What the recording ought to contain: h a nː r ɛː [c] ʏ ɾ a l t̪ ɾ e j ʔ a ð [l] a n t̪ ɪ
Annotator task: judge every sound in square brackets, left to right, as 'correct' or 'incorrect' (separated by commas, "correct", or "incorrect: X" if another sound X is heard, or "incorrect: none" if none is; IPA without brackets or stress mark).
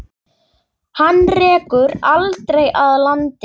incorrect: k, correct